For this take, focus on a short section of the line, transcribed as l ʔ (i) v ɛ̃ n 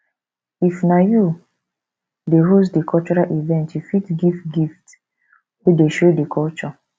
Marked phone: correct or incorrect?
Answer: correct